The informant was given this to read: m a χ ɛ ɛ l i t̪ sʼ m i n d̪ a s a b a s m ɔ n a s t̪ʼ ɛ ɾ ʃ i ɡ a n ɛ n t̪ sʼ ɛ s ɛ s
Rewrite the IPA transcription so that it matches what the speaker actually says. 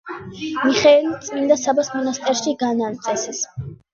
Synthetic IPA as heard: m i χ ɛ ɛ l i t̪ sʼ m i n d̪ a s a b a s m ɔ n a s t̪ʼ ɛ ɾ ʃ i ɡ a n a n t̪ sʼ ɛ s ɛ s